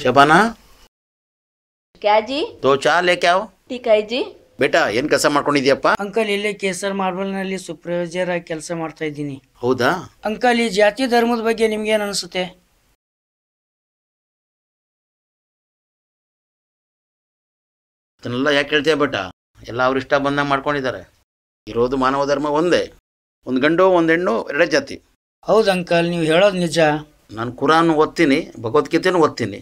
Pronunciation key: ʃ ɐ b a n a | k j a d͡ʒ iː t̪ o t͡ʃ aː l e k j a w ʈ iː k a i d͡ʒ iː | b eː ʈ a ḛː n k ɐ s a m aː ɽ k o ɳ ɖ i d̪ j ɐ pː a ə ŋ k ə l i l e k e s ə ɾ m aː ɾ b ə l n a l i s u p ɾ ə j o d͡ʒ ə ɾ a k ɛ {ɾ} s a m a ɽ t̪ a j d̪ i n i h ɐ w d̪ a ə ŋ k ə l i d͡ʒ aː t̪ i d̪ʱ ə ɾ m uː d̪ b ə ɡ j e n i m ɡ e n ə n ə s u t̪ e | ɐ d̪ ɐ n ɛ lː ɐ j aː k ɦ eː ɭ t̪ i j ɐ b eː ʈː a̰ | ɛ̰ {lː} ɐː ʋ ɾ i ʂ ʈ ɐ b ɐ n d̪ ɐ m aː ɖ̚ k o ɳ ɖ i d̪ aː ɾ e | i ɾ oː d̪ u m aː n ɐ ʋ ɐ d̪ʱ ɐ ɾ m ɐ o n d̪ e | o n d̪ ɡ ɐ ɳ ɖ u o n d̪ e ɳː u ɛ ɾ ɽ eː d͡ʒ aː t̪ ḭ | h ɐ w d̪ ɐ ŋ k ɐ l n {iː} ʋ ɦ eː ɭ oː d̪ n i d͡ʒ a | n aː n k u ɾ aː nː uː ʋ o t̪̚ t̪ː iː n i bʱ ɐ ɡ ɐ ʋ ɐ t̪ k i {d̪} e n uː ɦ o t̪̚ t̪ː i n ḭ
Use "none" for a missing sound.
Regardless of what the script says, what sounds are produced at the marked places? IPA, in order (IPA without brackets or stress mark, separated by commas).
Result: l, lː, iː, t̪